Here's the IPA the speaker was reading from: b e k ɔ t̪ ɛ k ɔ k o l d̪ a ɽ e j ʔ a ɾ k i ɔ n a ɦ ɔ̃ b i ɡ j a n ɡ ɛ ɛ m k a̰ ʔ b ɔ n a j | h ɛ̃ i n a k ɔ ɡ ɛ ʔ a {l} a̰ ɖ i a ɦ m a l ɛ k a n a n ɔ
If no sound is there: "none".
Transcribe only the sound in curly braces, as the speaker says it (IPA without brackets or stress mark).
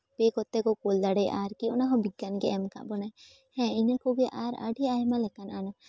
ɾ